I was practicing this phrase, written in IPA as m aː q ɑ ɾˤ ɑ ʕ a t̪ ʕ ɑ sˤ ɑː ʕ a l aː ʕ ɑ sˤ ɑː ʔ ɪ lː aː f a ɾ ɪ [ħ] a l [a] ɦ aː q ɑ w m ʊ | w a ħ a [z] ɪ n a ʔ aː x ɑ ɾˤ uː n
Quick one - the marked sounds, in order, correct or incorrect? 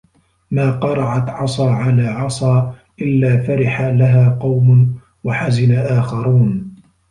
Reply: correct, correct, correct

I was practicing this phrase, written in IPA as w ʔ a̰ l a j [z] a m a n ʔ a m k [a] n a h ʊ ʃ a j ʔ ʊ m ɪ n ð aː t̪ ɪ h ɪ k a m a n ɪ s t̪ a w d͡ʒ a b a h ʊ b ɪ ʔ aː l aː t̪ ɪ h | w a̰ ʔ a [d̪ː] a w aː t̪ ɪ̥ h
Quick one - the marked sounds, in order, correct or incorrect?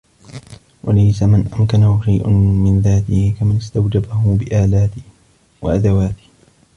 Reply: incorrect: s, correct, incorrect: d̪

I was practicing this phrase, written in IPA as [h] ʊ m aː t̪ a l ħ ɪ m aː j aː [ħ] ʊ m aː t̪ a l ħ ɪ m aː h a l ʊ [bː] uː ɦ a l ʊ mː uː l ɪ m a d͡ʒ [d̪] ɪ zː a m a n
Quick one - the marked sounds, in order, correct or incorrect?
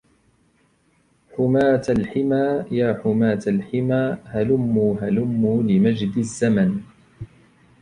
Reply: incorrect: ħ, correct, incorrect: mː, correct

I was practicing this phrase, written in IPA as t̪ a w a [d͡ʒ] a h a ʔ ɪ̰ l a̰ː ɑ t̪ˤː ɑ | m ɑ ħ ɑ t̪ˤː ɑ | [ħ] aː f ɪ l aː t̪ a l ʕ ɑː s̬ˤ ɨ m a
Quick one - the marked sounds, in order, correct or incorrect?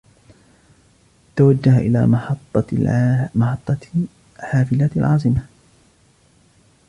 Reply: incorrect: d͡ʒː, correct

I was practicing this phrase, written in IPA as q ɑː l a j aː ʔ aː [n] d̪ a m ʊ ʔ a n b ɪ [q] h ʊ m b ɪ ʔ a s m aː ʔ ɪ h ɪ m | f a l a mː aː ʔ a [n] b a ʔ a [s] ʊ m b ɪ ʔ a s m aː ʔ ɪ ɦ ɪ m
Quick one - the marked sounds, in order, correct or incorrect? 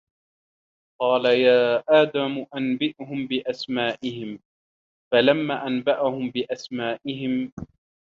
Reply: incorrect: none, incorrect: ʔ, correct, incorrect: h

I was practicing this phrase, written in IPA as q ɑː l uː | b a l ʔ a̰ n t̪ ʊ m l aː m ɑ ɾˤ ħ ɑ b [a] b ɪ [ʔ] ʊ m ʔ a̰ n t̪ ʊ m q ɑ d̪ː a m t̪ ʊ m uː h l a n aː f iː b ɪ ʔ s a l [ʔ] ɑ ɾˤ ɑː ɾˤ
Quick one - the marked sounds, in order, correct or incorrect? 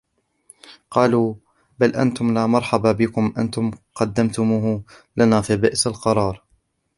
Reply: correct, incorrect: k, incorrect: q

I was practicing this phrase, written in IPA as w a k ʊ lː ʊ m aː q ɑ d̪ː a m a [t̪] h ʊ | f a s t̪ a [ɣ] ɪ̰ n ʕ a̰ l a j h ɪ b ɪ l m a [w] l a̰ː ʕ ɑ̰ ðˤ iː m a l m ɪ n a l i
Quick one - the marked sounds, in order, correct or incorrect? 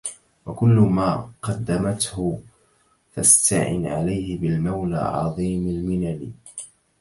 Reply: correct, incorrect: ʕ, correct

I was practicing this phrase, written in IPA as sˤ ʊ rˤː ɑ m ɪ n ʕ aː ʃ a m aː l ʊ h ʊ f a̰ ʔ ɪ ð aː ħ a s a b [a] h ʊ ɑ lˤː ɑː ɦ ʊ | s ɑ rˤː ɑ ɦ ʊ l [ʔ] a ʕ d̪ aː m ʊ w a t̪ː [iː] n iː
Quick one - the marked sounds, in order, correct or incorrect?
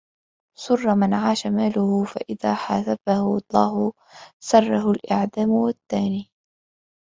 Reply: correct, correct, incorrect: aː

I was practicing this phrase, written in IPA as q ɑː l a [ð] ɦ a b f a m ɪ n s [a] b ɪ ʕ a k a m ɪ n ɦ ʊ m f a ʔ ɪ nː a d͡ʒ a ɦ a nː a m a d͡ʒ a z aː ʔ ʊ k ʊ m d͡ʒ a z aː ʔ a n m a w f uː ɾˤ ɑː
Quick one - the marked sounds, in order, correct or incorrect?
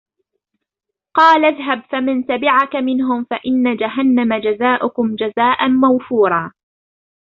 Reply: correct, correct

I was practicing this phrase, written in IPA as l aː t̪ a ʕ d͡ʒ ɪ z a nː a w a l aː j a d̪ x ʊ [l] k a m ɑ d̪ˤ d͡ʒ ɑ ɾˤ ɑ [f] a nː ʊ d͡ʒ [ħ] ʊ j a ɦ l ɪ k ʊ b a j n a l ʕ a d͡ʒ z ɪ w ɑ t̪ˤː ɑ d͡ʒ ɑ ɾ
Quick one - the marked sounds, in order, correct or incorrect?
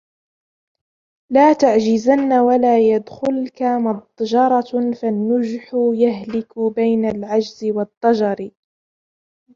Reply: correct, correct, correct

